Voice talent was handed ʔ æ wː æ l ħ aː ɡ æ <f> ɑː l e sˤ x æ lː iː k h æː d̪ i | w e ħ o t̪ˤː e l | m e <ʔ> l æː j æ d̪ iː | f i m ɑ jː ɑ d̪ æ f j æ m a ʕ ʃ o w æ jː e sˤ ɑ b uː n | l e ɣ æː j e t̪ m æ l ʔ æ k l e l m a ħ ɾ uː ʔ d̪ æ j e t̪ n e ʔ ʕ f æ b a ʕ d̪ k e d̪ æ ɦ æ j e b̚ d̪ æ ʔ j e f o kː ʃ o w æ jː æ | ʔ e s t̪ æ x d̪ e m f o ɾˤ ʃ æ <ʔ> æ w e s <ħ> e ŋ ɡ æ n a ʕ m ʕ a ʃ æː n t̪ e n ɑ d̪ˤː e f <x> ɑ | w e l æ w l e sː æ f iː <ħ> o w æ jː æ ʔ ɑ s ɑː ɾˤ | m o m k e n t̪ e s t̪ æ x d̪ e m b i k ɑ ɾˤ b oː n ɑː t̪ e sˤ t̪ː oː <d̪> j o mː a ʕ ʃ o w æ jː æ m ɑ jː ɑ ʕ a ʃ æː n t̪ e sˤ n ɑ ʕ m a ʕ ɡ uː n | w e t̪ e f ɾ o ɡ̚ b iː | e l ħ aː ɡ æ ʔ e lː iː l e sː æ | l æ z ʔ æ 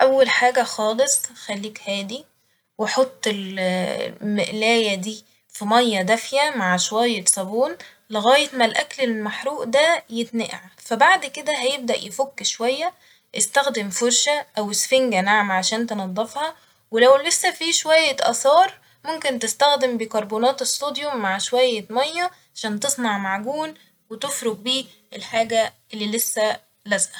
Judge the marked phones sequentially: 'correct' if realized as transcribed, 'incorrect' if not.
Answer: incorrect: x, correct, correct, incorrect: f, incorrect: h, incorrect: ʃ, correct

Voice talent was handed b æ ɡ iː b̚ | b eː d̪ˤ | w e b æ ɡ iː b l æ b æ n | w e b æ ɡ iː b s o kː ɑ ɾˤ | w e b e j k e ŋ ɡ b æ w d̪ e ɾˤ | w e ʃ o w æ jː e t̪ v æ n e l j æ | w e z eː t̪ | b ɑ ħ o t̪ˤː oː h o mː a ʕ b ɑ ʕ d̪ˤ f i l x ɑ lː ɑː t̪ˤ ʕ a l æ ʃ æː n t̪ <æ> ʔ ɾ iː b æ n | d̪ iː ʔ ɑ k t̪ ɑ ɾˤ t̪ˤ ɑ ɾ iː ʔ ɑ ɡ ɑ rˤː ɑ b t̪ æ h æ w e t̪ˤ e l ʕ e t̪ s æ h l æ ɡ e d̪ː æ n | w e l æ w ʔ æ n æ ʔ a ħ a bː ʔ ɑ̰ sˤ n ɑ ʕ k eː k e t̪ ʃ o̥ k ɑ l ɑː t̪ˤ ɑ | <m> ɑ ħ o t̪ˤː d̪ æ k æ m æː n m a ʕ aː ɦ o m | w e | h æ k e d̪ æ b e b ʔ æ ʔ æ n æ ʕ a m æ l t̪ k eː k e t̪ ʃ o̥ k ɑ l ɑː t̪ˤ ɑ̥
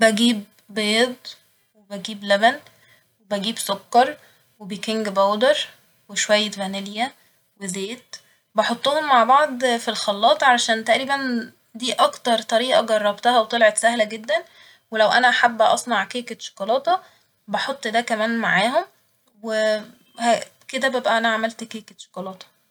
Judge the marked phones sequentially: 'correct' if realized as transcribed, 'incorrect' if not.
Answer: correct, incorrect: b

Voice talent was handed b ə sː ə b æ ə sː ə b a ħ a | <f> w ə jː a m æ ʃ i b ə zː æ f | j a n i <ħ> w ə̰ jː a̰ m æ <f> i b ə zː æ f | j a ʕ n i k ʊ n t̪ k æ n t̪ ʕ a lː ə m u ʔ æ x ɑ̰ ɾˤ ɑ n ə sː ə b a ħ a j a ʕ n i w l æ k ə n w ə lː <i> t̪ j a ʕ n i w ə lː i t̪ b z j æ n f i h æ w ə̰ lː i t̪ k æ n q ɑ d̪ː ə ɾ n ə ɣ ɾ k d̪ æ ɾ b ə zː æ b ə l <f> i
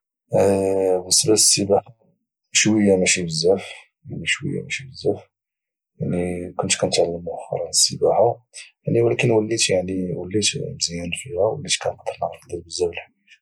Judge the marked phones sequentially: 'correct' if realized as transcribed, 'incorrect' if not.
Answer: incorrect: ʃ, incorrect: ʃ, incorrect: ʃ, correct, incorrect: ħ

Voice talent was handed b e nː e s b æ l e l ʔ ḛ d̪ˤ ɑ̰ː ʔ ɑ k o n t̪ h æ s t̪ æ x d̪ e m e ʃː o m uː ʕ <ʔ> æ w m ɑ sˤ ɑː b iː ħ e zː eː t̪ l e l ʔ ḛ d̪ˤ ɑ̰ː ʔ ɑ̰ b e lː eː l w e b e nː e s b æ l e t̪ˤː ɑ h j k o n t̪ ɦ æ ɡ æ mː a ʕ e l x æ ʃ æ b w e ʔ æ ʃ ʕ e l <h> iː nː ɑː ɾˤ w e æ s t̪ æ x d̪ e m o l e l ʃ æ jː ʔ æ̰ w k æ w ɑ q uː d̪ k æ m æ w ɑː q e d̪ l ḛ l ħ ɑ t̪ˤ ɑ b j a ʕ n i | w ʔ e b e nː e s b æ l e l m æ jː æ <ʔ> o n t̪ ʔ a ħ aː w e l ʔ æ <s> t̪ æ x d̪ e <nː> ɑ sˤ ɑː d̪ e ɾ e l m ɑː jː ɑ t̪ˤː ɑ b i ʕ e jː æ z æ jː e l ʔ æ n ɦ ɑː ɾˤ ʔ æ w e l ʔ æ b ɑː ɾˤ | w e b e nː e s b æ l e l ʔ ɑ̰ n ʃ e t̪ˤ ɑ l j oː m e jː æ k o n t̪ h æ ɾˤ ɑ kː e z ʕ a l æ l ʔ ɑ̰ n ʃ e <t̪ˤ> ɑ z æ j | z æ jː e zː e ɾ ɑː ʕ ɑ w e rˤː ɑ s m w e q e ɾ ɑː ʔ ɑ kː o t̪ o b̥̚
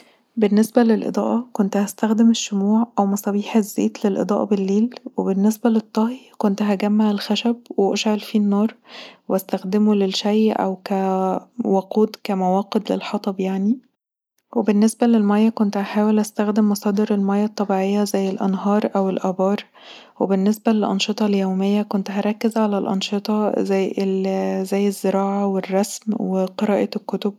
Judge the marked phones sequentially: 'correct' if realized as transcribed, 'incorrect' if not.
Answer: correct, incorrect: f, incorrect: k, correct, incorrect: mː, correct

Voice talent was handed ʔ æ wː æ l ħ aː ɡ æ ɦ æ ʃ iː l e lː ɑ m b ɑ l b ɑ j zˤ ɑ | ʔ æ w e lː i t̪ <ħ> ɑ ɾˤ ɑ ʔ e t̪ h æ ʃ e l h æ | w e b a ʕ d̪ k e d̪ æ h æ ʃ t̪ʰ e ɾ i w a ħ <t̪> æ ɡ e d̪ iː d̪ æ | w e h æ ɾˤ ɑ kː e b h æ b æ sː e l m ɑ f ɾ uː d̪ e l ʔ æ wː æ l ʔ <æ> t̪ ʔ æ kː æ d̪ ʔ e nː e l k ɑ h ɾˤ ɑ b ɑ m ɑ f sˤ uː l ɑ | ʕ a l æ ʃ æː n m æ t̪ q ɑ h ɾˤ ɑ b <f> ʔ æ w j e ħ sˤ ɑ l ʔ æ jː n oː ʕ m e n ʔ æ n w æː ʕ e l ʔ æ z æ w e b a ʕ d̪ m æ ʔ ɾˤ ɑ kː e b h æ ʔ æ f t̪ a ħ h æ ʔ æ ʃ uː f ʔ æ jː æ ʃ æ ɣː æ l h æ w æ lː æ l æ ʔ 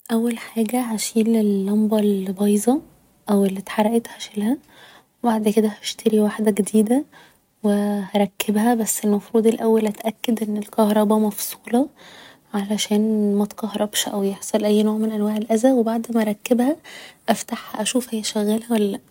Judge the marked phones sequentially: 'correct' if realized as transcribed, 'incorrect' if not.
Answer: correct, incorrect: d̪, correct, incorrect: ʃ

